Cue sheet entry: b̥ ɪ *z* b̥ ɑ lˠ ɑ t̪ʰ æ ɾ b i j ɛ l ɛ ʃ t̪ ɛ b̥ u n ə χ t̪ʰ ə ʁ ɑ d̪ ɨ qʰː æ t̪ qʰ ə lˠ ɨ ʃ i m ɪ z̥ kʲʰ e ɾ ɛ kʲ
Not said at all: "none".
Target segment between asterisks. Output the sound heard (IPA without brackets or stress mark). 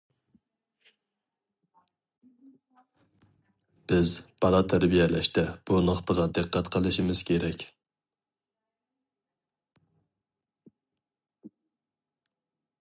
z